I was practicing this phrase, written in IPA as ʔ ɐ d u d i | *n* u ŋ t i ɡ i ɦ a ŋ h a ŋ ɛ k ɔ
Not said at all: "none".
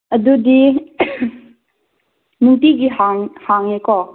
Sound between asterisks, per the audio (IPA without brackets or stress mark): n